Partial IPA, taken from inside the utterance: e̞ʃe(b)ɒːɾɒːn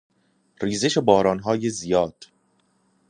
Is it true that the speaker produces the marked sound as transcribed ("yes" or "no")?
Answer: yes